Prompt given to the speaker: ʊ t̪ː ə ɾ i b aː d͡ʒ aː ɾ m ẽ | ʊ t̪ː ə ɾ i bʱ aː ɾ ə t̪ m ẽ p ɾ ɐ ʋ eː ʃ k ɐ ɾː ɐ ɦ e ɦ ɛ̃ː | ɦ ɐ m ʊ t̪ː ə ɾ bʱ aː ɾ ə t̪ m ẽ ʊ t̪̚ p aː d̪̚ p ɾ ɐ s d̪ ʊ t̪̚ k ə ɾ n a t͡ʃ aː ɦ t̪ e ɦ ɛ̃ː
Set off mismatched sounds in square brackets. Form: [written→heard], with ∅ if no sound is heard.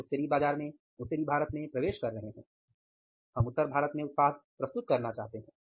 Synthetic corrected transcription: ʊ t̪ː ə ɾ i b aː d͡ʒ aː ɾ m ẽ | ʊ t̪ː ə ɾ i bʱ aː ɾ ə t̪ m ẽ p ɾ ɐ ʋ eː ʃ k ɐ ɾː ɐ ɦ e ɦ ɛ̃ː | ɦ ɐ m ʊ t̪ː ə ɾ bʱ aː ɾ ə t̪ m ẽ ʊ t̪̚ p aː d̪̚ p ɾ ɐ s [d̪→t̪] ʊ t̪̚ k [ə→ɐ] ɾ n a t͡ʃ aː ɦ t̪ e ɦ ɛ̃ː